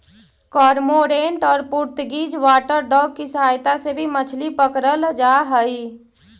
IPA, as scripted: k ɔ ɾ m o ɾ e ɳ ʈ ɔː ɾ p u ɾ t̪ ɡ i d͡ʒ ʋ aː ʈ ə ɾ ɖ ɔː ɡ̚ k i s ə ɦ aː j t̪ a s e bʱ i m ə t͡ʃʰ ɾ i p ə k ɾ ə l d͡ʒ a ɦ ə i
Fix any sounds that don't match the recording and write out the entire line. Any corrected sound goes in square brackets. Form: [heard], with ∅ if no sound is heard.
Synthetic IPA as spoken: k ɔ ɾ m o ɾ e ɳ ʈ ɔː ɾ p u ɾ t̪ ɡ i d͡ʒ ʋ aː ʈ ə ɾ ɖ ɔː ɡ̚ k i s ə ɦ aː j t̪ a s e bʱ i m ə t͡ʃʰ [l] i p ə k ɾ ə l d͡ʒ a ɦ ə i